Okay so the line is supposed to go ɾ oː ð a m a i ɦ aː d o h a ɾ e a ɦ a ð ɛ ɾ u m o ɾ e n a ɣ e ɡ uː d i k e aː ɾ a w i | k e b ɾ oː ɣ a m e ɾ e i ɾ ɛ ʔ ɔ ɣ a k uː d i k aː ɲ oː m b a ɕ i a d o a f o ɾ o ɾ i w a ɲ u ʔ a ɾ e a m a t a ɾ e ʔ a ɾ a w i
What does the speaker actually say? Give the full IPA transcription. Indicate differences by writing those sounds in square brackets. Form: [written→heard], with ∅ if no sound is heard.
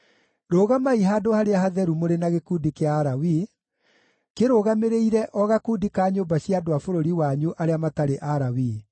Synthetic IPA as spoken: ɾ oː [ð→ɣ] a m a i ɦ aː d o h a ɾ e a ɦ a ð ɛ ɾ u m o ɾ e n a ɣ e [ɡ→k] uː d i k e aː ɾ a w i | k e [b→∅] ɾ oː ɣ a m e ɾ e i ɾ ɛ ʔ ɔ ɣ a k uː d i k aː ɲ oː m b a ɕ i a d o a f o ɾ o ɾ i w a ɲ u ʔ a ɾ e a m a t a ɾ e ʔ a ɾ a w i